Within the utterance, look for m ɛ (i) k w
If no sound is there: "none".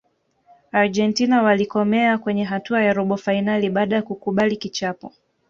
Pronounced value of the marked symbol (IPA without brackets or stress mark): a